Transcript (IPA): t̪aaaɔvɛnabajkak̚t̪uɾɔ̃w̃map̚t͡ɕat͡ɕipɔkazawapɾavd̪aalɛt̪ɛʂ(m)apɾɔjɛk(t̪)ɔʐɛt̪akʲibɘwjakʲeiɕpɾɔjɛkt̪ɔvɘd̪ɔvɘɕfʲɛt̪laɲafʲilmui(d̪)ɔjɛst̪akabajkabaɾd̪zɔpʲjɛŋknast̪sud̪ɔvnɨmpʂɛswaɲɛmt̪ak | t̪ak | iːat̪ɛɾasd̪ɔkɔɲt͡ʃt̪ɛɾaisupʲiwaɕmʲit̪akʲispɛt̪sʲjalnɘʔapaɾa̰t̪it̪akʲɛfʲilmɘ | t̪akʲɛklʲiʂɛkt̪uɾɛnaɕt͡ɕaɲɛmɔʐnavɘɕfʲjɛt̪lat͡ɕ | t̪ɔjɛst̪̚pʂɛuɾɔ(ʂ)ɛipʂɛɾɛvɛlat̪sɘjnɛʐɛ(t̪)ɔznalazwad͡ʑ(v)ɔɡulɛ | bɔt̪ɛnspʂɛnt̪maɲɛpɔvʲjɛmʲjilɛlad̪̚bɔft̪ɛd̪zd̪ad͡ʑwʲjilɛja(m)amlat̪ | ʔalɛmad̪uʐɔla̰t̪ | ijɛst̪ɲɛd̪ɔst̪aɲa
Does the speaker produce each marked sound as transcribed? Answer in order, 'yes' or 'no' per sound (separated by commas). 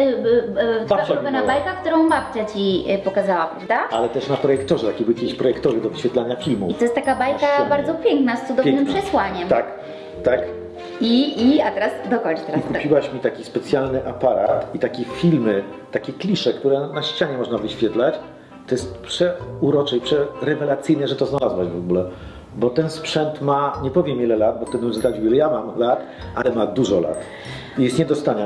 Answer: no, yes, no, no, yes, yes, yes